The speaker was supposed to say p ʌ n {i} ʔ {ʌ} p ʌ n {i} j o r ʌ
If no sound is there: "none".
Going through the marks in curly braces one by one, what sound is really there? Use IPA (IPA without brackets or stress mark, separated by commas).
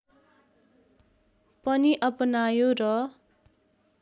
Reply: i, ʌ, a